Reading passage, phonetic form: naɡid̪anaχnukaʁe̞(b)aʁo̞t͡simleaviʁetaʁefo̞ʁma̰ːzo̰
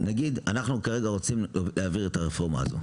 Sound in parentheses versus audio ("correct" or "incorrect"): incorrect